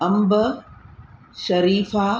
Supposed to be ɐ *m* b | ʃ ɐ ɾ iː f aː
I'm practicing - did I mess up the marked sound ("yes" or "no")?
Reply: no